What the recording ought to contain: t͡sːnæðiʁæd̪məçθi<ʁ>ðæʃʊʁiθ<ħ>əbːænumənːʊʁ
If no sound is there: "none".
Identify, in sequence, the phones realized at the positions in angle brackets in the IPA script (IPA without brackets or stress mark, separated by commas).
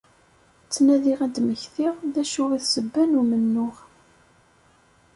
ʁ, s